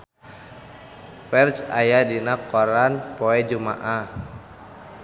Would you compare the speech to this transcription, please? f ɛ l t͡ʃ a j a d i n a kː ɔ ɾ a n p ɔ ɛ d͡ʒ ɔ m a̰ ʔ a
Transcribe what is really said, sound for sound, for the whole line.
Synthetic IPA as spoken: f ɛ r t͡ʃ a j a d i n a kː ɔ ɾ a n p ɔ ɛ d͡ʒ u m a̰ ʔ a